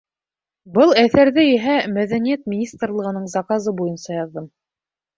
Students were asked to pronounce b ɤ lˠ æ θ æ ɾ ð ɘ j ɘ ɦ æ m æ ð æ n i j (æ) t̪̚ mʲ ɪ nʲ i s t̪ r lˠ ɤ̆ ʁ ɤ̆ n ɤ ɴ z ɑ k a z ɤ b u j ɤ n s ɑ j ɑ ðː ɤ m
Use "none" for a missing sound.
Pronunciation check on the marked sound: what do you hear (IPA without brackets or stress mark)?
æ